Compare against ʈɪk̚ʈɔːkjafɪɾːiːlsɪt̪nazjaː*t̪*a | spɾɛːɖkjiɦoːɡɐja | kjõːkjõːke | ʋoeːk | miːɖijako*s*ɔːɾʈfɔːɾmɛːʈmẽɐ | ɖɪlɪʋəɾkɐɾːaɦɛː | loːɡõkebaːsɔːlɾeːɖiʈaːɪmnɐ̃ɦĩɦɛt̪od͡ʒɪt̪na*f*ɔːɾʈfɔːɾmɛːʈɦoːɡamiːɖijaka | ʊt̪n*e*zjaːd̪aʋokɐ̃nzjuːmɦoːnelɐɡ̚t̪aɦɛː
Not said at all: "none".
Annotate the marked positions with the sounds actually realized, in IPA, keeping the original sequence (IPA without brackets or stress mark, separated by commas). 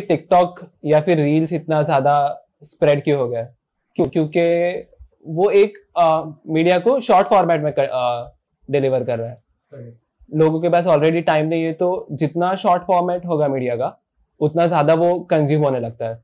d̪, ʃ, ʃ, a